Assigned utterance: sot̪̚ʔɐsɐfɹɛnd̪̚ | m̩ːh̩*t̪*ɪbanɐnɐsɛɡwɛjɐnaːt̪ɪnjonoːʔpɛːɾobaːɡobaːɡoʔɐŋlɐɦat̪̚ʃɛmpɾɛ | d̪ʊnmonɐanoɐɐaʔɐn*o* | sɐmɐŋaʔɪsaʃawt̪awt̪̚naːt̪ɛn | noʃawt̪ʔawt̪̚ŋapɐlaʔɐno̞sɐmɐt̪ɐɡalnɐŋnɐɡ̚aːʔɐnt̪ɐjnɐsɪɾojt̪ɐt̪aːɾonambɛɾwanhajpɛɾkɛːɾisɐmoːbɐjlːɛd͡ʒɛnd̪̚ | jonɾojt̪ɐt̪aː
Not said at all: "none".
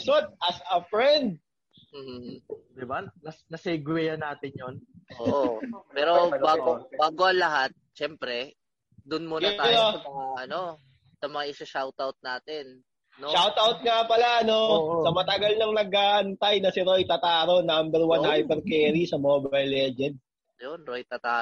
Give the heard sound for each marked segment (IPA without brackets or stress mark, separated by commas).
d̪, o